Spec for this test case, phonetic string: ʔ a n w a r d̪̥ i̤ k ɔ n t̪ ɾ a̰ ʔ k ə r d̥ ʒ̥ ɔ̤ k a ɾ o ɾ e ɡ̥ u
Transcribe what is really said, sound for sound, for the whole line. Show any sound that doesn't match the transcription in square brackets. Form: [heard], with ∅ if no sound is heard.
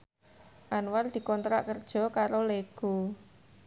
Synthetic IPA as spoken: ʔ a n w a r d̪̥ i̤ k ɔ n t̪ ɾ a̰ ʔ k ə r d̥ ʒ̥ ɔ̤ k a ɾ o [l] e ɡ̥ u